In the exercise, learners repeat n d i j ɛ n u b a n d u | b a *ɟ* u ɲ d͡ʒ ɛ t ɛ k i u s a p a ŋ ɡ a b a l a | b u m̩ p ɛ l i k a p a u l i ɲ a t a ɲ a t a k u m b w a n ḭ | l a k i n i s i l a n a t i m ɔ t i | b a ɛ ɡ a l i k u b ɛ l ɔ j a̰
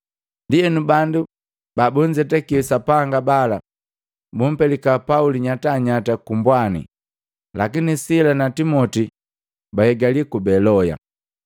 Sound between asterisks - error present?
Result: yes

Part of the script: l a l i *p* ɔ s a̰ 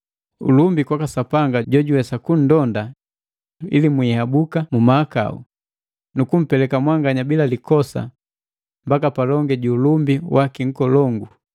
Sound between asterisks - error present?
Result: yes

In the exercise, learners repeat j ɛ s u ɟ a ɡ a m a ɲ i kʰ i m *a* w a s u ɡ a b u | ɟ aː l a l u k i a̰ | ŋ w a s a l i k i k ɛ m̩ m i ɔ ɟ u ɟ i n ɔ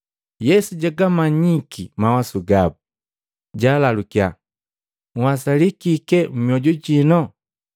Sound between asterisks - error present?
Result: no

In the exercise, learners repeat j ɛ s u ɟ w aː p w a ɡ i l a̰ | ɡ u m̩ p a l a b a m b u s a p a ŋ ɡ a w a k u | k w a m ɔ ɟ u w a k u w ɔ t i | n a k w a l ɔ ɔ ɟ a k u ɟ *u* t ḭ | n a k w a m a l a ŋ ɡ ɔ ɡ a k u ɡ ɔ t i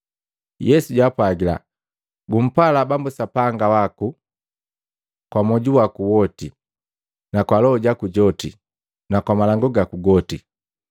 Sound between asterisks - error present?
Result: yes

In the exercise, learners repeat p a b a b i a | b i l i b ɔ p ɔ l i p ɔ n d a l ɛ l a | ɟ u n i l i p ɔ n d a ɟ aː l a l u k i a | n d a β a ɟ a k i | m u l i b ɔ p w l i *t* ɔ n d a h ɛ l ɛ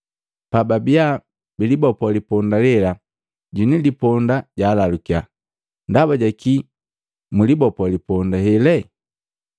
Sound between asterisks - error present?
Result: yes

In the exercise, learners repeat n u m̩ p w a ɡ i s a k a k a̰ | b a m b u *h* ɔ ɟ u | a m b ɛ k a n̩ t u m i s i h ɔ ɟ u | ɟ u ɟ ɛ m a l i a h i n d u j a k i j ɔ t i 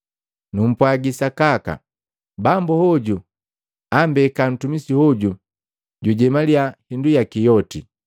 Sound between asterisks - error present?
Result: no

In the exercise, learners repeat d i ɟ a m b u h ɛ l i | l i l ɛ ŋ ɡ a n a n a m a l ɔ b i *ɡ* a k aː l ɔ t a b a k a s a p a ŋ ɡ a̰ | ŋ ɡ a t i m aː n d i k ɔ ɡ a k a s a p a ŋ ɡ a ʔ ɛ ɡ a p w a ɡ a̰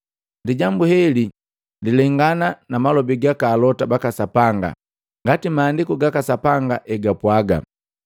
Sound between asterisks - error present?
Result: no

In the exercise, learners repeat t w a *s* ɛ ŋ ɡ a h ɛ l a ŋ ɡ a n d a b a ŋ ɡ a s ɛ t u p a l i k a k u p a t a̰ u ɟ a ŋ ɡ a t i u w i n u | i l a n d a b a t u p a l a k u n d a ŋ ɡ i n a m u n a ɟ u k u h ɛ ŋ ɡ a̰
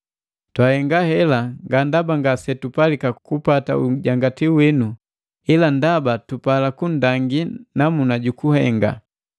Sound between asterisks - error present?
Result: yes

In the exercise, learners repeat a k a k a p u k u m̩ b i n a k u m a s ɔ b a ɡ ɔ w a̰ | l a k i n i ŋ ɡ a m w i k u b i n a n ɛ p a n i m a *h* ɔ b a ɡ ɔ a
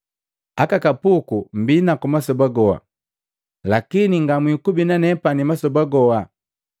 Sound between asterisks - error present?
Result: yes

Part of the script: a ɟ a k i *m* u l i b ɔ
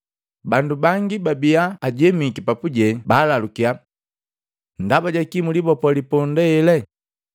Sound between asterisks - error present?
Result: no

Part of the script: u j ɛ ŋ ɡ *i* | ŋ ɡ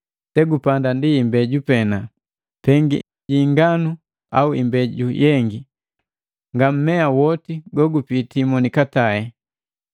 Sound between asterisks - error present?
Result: no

